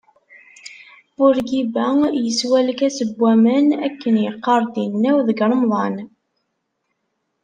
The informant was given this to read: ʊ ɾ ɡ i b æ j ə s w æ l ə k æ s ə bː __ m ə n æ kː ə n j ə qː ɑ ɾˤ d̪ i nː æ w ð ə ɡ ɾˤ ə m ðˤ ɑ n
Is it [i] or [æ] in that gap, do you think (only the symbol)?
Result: æ